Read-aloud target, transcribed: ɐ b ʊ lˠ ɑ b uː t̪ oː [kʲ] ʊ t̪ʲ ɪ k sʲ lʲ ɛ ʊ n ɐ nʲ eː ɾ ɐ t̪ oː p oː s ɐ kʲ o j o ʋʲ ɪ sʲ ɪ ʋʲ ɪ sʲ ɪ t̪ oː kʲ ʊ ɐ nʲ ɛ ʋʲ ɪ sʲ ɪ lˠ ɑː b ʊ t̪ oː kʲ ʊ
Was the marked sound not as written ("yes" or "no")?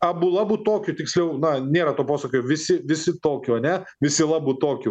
no